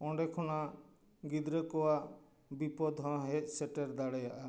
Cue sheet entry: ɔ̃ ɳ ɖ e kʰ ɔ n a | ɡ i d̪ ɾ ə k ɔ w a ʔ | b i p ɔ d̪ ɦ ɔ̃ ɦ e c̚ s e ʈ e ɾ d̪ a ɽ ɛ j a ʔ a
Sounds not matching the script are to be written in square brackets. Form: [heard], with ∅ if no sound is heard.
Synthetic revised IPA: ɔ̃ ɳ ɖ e kʰ ɔ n a | ɡ i d̪ ɾ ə k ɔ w a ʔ | b i p ɔ d̪ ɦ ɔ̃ ɦ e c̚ s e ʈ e ɾ d̪ a ɽ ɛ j a ʔ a